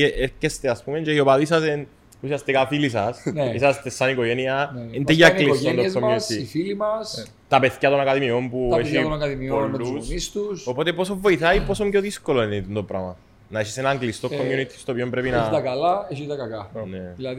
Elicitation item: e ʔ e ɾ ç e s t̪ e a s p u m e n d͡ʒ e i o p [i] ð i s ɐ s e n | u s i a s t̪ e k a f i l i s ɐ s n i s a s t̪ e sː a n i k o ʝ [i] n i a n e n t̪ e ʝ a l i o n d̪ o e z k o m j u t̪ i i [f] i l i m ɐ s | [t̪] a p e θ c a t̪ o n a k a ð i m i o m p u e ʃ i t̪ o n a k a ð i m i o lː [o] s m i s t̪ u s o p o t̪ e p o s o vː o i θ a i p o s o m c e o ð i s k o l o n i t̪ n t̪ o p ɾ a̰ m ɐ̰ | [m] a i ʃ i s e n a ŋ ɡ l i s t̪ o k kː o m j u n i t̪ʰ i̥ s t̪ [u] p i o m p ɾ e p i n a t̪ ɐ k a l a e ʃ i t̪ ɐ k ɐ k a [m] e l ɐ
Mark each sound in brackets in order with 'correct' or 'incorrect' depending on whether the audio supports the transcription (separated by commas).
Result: incorrect, incorrect, correct, correct, incorrect, incorrect, incorrect, incorrect